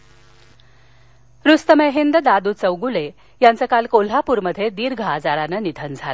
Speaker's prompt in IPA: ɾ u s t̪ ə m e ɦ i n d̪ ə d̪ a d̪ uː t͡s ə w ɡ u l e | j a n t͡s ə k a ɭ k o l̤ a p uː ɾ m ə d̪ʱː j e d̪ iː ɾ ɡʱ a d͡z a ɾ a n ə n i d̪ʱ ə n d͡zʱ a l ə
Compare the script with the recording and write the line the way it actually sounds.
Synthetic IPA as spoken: ɾ u s t̪ ə m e ɦ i n d̪ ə d̪ a d̪ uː t͡s ə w ɡ u l e | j a n t͡s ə k a l k o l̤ a p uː ɾ m ə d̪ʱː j e d̪ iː ɾ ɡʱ a d͡z a ɾ a n ə n i d̪ʱ ə n d͡zʱ a l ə